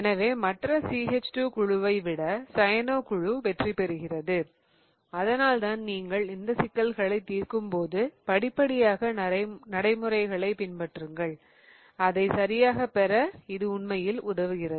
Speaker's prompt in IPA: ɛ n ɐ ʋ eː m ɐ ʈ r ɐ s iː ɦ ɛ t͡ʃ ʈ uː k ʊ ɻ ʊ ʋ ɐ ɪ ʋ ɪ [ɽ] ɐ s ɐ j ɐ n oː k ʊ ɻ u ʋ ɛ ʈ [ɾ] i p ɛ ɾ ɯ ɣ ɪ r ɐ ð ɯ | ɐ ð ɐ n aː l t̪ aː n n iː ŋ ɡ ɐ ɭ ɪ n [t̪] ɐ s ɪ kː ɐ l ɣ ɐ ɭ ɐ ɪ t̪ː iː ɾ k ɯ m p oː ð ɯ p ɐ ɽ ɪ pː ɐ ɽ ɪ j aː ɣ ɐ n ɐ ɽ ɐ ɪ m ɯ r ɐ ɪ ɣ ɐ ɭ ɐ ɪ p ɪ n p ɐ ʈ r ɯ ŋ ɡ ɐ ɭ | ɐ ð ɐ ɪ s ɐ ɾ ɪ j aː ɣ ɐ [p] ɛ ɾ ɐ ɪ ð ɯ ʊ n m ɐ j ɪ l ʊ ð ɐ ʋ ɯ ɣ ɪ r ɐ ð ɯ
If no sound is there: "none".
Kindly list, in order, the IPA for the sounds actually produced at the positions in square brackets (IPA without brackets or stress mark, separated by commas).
ɽ, r, d̪, p